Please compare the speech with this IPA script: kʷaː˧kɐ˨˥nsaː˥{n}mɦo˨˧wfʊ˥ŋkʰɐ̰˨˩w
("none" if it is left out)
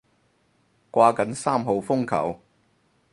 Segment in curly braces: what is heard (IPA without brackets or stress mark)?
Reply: none